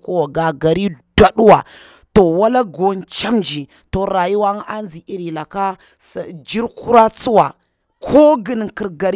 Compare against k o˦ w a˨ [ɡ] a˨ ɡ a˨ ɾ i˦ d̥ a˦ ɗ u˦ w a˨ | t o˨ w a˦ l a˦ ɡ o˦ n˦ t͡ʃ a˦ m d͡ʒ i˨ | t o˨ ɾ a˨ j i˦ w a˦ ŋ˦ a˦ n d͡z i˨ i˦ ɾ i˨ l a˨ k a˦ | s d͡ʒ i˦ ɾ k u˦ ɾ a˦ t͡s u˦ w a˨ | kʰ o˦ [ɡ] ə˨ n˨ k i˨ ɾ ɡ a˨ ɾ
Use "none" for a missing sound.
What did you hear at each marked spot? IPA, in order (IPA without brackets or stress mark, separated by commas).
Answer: ɡ, ɡ